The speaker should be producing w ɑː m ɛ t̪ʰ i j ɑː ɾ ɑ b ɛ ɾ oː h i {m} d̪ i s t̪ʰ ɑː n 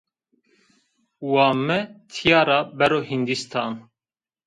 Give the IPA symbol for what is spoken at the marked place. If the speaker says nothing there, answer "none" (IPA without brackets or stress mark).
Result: n